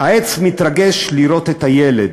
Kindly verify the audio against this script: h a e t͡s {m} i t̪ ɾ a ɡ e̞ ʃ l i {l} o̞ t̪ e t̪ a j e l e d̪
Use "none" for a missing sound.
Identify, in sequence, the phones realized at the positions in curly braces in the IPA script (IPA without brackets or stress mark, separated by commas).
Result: m, ɾ